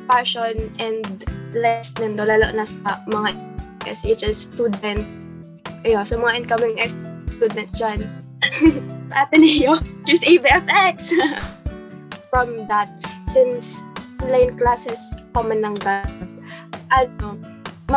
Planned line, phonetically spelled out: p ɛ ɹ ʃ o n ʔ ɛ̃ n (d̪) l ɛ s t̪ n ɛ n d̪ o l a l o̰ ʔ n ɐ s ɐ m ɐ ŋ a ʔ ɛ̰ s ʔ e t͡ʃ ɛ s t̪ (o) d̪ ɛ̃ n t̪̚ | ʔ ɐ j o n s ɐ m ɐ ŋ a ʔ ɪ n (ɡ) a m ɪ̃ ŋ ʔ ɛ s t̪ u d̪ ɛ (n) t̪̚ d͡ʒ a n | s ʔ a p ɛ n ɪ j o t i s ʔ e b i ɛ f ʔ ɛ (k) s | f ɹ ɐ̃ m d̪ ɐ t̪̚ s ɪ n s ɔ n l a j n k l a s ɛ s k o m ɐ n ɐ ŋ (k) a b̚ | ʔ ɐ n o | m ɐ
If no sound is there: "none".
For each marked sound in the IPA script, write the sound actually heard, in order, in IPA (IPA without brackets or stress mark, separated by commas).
d̪, u, k, n, k, ɡ